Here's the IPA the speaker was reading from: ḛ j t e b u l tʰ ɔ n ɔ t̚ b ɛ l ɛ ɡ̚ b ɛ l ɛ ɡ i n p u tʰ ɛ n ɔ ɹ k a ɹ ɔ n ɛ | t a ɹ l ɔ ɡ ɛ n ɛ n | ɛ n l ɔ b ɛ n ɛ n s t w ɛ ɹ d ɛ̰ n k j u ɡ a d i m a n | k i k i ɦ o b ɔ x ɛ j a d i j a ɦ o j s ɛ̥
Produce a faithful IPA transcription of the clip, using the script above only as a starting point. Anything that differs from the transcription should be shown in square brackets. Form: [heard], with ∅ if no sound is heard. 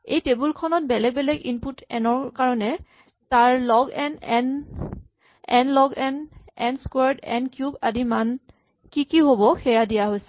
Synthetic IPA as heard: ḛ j t e b u l [kʰ] ɔ n ɔ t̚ b ɛ l ɛ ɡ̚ b ɛ l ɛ ɡ i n p u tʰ ɛ n ɔ ɹ k a ɹ ɔ n ɛ | t a ɹ l ɔ ɡ ɛ n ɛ n | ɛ n l ɔ [ɡ] ɛ n ɛ n s [k] w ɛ ɹ d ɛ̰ n k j u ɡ a d i m a n | k i k i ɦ o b ɔ x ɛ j a d i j a ɦ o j s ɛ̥